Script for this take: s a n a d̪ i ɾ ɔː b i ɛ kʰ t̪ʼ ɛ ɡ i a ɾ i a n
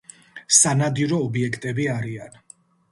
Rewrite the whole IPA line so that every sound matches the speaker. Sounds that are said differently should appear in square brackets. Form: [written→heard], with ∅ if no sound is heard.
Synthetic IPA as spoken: s a n a d̪ i ɾ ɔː b i ɛ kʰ t̪ʼ ɛ [ɡ→b] i a ɾ i a n